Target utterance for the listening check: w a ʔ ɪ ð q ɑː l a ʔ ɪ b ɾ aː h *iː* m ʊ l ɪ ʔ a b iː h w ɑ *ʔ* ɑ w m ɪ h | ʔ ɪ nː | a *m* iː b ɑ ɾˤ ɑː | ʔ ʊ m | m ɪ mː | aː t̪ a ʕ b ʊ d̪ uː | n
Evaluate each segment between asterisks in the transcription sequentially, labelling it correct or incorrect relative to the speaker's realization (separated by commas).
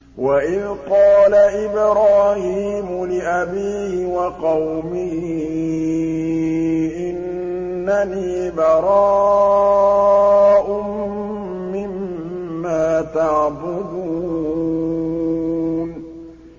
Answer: correct, incorrect, incorrect